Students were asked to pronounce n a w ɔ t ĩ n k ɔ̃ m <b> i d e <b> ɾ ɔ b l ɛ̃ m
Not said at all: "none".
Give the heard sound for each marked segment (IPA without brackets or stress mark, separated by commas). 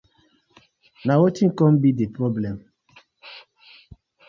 b, p